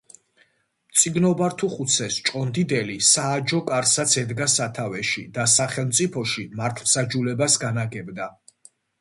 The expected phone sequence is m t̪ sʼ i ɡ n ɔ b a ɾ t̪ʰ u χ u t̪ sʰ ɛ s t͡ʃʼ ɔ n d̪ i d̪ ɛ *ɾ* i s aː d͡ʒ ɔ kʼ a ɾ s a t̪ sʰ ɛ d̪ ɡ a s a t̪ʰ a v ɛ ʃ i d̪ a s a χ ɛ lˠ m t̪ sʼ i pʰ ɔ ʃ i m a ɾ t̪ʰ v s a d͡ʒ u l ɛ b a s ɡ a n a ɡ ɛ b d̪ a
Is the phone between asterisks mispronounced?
yes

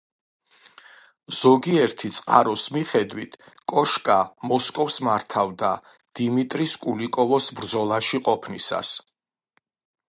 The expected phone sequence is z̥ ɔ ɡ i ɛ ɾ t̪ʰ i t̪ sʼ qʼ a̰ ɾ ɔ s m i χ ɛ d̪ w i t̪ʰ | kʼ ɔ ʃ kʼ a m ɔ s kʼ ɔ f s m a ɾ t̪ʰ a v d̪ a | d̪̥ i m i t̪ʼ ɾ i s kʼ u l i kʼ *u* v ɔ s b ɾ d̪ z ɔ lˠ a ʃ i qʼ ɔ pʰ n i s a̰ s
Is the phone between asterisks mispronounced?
yes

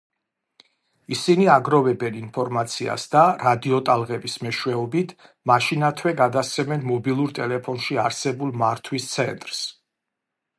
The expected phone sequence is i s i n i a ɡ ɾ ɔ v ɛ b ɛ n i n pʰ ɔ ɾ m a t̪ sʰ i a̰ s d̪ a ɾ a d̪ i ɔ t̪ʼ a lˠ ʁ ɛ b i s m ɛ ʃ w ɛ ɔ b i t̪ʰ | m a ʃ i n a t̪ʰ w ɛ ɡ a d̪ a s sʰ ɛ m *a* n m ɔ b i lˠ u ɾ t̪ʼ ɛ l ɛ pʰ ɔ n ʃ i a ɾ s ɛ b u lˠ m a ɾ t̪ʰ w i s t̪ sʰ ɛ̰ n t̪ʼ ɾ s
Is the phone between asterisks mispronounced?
yes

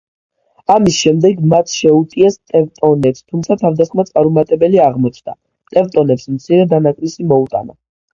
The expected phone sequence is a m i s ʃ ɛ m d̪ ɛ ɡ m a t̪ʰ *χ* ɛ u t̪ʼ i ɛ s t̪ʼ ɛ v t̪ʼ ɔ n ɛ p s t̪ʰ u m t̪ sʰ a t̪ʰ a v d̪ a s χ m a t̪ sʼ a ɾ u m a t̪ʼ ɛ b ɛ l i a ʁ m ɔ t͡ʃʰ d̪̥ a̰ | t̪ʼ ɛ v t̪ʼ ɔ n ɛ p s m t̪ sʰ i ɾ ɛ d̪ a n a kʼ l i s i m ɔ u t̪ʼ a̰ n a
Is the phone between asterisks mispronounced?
yes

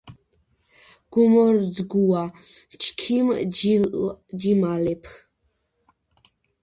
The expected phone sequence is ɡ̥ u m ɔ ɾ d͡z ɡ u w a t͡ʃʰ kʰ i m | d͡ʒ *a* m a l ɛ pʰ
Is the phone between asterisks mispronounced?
yes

